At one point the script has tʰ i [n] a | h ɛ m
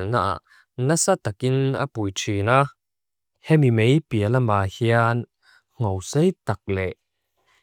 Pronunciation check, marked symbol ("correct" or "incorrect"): correct